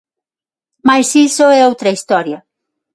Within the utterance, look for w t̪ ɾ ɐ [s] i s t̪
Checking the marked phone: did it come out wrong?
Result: yes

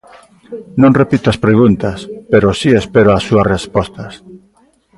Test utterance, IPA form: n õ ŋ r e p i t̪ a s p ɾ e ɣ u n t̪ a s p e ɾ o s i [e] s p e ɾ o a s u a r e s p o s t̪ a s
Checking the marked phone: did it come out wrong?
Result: no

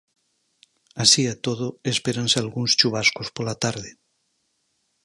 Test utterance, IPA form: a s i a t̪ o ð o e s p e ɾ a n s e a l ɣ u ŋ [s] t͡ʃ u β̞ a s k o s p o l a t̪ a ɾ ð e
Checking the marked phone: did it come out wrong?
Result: no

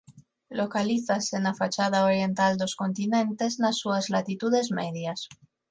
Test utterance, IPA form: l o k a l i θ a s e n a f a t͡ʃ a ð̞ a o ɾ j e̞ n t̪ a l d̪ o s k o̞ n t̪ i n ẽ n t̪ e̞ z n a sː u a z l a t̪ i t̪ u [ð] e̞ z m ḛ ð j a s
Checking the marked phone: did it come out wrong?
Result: no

